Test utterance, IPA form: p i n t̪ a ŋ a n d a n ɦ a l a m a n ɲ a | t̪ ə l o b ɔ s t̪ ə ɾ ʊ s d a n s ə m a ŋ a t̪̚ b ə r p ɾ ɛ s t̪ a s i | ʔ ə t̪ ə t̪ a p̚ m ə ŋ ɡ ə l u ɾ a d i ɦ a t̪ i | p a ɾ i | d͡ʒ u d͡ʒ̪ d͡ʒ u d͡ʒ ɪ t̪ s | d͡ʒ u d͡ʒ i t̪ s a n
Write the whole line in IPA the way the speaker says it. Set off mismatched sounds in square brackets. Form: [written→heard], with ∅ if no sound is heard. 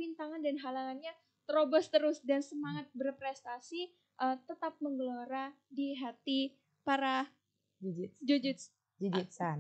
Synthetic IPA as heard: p i n t̪ a ŋ a n d a n ɦ a l a [m→ŋ] a n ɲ a | t̪ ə [l→ɾ] o b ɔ s t̪ ə ɾ ʊ s d a n s ə m a ŋ a t̪̚ b ə r p ɾ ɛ s t̪ a s i | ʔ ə t̪ ə t̪ a p̚ m ə ŋ ɡ ə l [u→o] ɾ a d i ɦ a t̪ i | p a ɾ [i→a] | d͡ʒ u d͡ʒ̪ d͡ʒ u d͡ʒ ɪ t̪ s | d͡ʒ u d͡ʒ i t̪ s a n